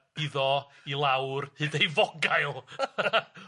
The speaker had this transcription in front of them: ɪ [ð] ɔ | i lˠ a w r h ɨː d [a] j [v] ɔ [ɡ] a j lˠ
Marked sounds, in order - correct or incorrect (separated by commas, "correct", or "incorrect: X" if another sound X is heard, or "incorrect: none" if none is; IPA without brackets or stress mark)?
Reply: correct, incorrect: e, correct, correct